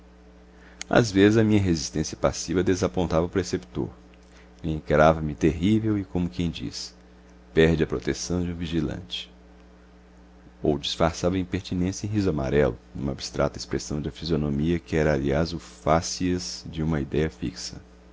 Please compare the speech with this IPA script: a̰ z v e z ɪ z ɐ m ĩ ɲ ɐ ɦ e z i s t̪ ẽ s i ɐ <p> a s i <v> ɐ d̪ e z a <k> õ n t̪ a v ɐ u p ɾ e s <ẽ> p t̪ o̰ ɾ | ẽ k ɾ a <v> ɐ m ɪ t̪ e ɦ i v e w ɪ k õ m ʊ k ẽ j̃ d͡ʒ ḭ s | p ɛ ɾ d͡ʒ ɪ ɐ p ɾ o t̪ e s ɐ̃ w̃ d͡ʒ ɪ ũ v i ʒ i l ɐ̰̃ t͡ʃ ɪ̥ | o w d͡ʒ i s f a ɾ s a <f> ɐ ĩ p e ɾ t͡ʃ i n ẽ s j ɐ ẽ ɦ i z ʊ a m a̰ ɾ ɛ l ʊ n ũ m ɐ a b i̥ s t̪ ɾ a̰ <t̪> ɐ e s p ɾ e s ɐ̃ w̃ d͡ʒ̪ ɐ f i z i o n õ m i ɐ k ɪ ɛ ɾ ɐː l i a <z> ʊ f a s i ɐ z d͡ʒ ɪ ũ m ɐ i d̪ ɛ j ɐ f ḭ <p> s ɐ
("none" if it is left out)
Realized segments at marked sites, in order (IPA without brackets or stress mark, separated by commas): p, v, p, e, v, v, t̪, z, k